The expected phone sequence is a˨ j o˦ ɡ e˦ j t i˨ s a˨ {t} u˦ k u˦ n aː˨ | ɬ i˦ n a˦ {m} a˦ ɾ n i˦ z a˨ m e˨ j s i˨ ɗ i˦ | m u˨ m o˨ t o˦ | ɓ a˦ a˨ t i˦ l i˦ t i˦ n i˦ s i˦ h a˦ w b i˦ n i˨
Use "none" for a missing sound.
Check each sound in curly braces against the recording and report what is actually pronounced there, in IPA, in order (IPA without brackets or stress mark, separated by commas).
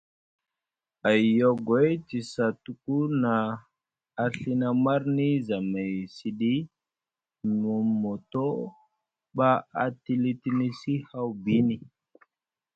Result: t, m